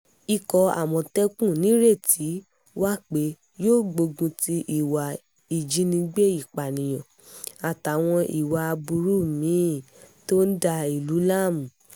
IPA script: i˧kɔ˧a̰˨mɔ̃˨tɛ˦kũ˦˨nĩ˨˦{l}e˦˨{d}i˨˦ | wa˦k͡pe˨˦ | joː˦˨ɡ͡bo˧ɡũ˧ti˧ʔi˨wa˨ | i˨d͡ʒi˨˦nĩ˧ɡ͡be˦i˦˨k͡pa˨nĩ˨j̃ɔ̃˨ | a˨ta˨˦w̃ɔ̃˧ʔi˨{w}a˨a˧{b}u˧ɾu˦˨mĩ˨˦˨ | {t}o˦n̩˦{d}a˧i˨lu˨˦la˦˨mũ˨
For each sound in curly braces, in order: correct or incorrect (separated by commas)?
incorrect, incorrect, correct, correct, correct, correct